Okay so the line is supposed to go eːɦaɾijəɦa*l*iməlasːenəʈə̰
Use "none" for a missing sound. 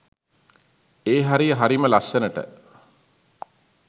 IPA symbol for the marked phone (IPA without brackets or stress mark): ɾ